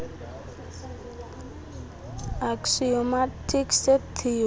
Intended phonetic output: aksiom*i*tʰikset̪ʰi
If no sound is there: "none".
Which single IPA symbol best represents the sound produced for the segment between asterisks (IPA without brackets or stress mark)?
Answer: a